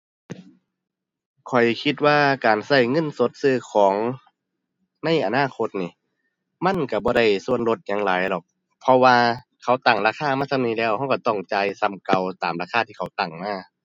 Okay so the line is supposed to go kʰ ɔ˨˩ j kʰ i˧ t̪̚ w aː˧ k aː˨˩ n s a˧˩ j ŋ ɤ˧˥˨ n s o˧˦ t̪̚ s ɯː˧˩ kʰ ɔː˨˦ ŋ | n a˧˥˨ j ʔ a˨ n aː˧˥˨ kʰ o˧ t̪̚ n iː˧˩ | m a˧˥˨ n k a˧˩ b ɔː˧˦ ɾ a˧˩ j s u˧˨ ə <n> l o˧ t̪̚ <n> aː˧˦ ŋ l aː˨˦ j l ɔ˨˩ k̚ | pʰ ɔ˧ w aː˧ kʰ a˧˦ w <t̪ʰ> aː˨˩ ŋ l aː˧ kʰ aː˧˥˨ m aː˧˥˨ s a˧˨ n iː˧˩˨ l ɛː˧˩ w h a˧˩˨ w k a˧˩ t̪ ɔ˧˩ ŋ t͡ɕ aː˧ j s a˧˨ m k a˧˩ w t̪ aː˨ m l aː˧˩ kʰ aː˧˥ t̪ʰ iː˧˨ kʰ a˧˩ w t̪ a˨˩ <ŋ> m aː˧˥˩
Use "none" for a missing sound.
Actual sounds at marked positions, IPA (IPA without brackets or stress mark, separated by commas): n, ɲ, t̪, ŋ